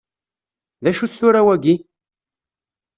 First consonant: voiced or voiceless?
voiced